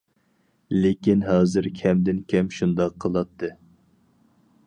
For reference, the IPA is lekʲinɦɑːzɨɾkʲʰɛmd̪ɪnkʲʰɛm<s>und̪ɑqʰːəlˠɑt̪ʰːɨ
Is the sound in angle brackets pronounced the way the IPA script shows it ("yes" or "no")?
no